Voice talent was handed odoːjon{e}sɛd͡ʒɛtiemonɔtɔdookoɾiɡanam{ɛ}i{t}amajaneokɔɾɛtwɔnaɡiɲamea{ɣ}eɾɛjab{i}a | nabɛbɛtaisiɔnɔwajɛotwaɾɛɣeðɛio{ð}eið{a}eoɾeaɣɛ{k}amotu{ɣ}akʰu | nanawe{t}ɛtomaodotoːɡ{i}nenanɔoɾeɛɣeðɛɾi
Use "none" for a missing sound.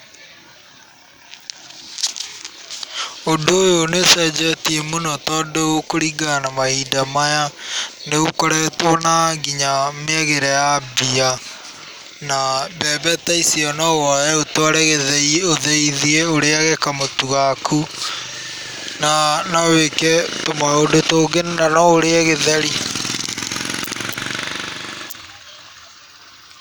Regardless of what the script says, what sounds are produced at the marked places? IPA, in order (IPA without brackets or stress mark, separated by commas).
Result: e, a, d, ɣ, i, ð, i, k, ɣ, k, e